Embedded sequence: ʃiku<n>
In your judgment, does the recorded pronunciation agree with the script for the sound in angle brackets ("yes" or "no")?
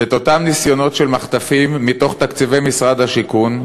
yes